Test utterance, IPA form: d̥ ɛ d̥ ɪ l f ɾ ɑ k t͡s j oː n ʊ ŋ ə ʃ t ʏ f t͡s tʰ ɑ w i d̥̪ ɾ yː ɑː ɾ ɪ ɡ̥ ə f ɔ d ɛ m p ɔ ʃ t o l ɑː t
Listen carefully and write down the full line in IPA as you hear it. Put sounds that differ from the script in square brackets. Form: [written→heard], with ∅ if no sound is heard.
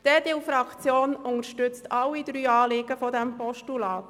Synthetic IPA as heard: d̥ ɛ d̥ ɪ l f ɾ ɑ k t͡s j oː n ʊ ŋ ə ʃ t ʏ [f→∅] t͡s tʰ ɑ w i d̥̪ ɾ yː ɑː [ɾ→l] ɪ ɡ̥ ə f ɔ d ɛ m p ɔ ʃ t [o→u] l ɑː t